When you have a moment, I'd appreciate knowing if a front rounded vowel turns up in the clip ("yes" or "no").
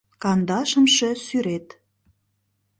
yes